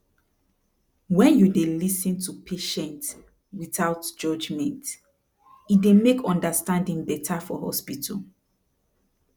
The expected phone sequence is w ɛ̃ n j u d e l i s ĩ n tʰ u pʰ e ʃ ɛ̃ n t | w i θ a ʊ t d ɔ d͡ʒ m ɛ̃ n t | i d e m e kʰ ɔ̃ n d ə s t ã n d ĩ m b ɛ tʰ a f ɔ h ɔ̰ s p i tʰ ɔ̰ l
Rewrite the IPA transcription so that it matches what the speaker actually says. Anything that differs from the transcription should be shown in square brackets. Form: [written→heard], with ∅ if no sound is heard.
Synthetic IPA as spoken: w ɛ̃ n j u d e l i s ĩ n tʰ u pʰ e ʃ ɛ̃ n t | w i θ a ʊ t [d→d͡ʒ] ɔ d͡ʒ m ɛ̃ n t | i d e m e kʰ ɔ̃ n d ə s t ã n d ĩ [m→ŋ] b ɛ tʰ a f ɔ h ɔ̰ s p i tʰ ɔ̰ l